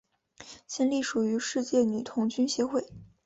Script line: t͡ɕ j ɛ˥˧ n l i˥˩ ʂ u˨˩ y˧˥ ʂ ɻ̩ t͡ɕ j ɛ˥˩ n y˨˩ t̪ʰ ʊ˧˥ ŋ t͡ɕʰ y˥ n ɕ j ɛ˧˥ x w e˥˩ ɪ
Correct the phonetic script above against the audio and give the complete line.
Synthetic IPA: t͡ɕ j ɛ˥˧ n l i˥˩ ʂ u˨˩ y˧˥ ʂ ɻ̩ t͡ɕ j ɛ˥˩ n y˨˩ t̪ʰ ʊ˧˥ ŋ t͡ɕ y˥ n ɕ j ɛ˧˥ x w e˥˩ ɪ